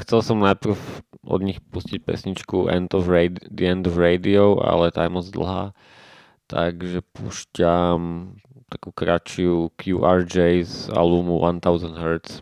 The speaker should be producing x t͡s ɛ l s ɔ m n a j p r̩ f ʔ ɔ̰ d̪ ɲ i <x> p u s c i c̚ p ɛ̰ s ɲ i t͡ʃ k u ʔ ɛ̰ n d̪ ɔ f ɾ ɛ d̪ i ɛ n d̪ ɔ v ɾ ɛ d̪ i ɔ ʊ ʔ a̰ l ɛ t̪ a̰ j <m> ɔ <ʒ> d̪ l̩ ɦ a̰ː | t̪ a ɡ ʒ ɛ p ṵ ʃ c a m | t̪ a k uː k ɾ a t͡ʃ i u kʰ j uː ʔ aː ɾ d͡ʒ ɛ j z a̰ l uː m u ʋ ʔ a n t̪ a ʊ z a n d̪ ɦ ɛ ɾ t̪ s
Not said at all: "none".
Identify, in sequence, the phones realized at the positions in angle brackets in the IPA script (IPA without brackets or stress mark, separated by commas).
x, m, z